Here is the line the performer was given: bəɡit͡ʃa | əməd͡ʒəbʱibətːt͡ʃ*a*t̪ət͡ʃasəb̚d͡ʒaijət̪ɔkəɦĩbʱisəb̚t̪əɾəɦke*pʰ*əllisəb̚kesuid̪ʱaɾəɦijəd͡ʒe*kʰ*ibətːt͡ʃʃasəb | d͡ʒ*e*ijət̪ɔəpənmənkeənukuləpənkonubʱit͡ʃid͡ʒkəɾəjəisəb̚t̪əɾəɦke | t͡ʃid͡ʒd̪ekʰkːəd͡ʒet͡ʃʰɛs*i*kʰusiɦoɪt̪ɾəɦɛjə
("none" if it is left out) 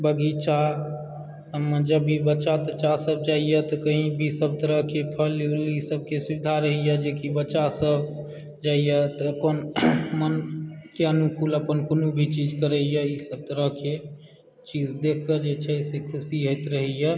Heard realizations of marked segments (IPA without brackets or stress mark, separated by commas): a, pʰ, k, a, e